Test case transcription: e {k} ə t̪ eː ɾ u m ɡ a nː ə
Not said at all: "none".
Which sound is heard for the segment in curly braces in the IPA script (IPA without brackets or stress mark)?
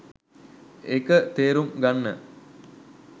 k